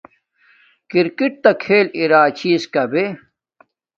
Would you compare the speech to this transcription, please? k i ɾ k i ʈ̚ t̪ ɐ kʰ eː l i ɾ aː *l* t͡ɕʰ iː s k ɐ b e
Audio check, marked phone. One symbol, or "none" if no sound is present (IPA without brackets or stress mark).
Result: none